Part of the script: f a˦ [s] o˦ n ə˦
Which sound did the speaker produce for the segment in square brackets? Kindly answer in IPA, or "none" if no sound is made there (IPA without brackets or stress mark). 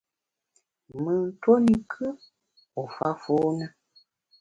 f